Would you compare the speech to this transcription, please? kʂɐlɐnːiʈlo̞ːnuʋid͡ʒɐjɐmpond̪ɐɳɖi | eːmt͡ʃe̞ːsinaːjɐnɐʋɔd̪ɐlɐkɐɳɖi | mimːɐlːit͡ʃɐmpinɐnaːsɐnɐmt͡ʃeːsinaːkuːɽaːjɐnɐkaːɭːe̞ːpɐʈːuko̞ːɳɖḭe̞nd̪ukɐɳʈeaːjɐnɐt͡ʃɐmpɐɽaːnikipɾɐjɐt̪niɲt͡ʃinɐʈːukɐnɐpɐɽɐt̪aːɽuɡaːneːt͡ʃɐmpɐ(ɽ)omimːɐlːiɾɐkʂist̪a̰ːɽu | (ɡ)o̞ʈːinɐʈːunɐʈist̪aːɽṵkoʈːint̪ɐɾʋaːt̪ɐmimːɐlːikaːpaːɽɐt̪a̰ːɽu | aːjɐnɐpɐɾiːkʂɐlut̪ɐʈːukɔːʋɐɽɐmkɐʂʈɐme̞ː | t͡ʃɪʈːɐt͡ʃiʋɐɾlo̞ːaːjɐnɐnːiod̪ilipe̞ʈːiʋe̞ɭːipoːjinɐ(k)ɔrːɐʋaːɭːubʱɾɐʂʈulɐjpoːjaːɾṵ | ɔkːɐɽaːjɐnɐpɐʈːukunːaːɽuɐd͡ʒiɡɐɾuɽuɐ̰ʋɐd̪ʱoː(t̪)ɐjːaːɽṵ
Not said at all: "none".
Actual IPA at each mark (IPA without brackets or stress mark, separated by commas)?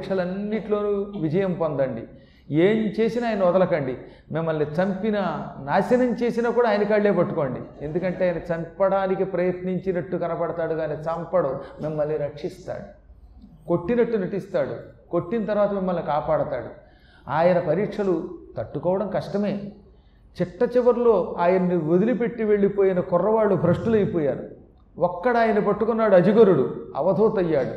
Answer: ɽ, k, k, t̪